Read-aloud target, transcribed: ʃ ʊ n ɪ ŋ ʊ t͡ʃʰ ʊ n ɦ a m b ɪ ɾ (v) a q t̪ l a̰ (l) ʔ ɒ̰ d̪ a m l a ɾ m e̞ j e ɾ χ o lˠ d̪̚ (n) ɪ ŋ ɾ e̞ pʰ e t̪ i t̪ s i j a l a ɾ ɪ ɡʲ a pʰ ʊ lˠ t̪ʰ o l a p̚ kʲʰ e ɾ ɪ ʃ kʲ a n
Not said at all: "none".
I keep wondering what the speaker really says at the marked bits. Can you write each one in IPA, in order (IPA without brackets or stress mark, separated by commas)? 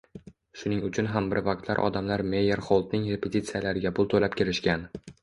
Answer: v, ɾ, n